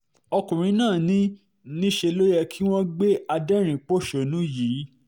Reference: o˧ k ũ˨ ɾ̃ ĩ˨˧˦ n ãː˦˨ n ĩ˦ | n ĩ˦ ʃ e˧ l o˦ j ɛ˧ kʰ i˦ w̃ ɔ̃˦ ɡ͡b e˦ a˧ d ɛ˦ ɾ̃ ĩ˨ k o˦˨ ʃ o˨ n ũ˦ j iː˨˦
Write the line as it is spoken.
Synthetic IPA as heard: ɔ˧ k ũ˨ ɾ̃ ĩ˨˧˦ n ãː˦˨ n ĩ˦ | n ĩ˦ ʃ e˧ l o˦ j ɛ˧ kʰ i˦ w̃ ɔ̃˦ ɡ͡b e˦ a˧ d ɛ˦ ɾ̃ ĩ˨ k͡p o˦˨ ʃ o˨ n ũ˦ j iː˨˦